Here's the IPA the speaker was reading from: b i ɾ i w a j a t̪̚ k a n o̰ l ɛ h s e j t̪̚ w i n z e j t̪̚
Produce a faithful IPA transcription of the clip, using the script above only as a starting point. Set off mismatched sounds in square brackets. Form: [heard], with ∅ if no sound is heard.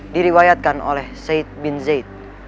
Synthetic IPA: [d] i ɾ i w a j a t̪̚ k a n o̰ l ɛ h s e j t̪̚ [b] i n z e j t̪̚